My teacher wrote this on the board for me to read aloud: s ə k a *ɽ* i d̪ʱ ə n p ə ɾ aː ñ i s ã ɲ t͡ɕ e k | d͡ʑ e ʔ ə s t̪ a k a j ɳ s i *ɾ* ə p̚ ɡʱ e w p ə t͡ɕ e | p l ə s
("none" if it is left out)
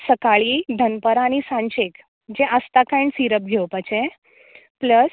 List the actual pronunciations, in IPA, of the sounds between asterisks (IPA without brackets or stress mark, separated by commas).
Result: ɭ, ɾ